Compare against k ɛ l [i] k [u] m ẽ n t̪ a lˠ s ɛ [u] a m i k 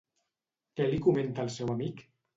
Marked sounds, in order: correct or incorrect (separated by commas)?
correct, correct, incorrect